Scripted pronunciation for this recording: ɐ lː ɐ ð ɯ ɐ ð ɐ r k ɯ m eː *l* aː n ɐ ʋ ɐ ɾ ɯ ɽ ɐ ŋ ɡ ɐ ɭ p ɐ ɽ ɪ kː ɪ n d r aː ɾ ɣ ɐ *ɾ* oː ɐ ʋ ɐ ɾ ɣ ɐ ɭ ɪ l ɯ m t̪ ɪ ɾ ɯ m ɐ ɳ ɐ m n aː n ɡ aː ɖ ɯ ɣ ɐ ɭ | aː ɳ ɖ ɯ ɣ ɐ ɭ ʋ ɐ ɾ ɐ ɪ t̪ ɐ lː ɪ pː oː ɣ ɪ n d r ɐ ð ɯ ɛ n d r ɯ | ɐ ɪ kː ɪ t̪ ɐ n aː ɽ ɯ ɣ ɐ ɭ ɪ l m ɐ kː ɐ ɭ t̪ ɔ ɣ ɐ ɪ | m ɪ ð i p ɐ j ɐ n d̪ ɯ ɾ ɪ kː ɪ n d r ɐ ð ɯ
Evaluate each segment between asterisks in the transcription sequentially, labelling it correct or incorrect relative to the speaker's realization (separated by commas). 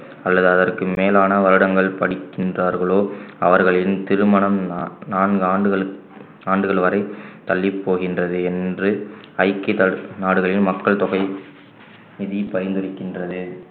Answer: correct, incorrect